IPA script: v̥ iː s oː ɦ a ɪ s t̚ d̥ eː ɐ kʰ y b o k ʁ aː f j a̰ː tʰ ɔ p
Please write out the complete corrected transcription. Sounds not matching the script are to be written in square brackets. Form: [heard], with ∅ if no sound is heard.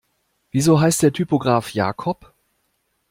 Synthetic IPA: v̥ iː [z] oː ɦ a ɪ s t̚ d̥ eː ɐ [tʰ] y [p] o [ɡ] ʁ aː f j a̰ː [kʰ] ɔ p